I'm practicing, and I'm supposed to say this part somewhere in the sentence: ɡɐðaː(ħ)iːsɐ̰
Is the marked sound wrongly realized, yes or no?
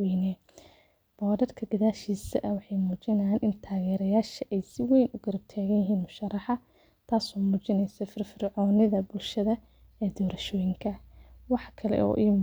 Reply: yes